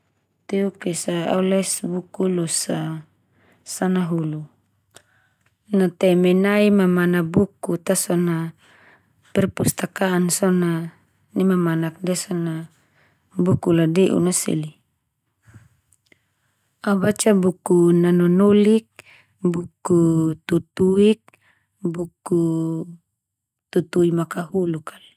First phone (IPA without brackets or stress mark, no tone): t̪